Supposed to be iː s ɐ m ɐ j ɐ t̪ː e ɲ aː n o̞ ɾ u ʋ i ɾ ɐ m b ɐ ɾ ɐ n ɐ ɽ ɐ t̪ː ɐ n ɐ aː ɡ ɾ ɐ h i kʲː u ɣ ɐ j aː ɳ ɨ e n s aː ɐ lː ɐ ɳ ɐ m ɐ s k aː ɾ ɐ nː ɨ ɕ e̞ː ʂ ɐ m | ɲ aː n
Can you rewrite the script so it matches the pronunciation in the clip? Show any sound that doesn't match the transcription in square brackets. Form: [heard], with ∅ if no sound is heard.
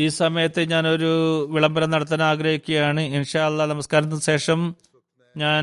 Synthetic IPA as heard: iː s ɐ m ɐ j ɐ t̪ː e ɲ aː n o̞ ɾ u ʋ i [ɭ] ɐ m b ɐ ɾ ɐ n ɐ ɽ ɐ t̪ː ɐ n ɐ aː ɡ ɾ ɐ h i kʲː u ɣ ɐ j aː ɳ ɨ [i] n [ʂ] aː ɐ lː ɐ [n] ɐ m ɐ s k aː ɾ ɐ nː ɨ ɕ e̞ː ʂ ɐ m | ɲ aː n